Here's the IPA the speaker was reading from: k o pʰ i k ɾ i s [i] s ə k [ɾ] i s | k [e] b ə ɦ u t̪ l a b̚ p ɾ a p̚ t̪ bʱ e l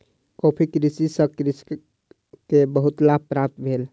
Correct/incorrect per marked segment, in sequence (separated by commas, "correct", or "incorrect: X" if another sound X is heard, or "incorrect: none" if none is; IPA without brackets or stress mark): correct, correct, correct